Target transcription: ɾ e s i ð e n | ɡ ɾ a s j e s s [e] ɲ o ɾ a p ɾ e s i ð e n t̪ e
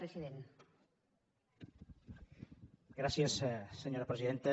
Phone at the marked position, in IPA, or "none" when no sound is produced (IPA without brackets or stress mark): e